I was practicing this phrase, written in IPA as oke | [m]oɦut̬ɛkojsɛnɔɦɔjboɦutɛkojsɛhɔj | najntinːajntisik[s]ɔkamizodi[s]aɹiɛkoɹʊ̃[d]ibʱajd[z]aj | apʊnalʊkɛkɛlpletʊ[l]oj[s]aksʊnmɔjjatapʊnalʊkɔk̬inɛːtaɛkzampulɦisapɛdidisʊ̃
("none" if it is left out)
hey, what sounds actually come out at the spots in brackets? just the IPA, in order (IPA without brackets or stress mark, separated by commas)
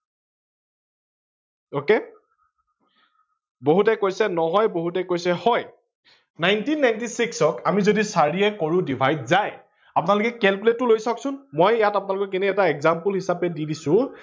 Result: b, s, s, d, z, l, s